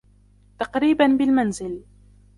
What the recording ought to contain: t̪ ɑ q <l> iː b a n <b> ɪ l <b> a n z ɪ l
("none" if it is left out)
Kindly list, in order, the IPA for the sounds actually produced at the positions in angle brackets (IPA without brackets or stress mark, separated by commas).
ɾ, b, m